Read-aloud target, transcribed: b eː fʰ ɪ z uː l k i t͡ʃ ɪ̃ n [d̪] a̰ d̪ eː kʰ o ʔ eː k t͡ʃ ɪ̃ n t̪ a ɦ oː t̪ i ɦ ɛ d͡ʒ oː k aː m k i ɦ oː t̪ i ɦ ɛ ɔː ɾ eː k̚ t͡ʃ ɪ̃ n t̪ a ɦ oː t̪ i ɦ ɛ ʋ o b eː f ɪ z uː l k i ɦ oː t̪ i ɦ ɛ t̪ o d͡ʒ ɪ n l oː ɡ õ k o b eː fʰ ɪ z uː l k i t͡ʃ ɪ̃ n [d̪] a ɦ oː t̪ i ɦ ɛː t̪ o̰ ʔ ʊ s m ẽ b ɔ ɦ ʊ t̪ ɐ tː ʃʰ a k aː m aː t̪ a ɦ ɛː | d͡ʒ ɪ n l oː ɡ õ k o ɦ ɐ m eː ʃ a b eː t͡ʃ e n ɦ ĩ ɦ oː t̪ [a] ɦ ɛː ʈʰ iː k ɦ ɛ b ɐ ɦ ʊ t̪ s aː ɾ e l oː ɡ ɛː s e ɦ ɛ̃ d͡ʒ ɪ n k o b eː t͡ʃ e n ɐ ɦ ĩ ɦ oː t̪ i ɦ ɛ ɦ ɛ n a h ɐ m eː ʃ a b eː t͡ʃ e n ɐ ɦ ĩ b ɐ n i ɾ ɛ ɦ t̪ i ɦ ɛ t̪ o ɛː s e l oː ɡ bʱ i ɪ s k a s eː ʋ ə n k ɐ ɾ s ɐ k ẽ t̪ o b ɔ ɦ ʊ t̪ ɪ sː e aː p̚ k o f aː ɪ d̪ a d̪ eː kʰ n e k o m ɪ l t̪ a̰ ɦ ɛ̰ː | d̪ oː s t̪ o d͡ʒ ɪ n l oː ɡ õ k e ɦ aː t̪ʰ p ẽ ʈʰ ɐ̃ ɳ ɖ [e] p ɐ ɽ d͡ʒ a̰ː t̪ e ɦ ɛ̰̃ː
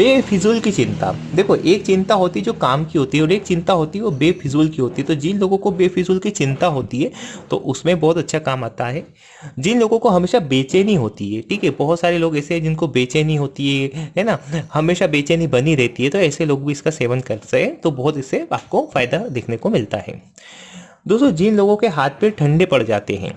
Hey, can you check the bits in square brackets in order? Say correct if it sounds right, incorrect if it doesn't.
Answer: incorrect: t̪, incorrect: t̪, incorrect: i, correct

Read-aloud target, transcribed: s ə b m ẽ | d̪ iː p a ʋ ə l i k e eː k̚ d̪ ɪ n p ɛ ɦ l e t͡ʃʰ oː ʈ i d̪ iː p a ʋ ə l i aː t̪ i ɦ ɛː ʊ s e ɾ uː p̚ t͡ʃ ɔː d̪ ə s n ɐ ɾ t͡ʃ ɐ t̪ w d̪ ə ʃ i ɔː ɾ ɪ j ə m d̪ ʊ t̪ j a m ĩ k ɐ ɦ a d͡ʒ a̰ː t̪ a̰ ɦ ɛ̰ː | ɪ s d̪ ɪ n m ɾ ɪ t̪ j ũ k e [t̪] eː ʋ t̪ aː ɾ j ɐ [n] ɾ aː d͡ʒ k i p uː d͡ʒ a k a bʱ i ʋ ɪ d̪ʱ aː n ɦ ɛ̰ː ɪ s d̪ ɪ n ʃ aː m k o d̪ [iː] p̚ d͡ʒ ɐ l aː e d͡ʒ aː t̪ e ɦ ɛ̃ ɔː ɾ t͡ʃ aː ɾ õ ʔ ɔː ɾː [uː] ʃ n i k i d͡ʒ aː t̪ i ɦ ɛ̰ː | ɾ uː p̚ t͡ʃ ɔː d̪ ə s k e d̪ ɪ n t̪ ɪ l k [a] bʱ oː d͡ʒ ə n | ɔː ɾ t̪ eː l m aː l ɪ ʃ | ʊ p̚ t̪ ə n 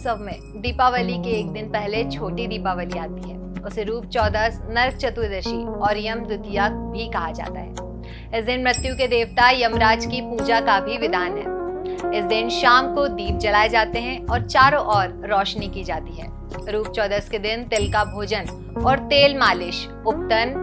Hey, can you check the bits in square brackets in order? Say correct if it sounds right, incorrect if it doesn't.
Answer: incorrect: d̪, incorrect: m, correct, incorrect: ɔː, correct

